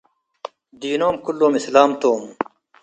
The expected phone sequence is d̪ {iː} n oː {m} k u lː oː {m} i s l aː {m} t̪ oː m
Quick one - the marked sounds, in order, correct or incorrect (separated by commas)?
correct, correct, correct, correct